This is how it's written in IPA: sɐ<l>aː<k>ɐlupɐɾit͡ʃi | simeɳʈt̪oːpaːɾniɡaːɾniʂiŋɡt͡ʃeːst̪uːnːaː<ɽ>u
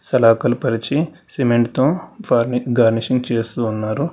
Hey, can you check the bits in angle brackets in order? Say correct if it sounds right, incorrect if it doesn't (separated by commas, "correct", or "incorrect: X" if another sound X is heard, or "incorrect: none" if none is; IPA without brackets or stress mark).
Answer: correct, correct, incorrect: ɾ